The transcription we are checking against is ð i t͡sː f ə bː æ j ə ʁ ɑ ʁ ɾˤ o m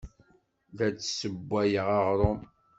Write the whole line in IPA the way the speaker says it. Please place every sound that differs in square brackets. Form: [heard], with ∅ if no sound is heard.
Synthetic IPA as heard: ð [æ] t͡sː [s] ə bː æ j ə ʁ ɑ ʁ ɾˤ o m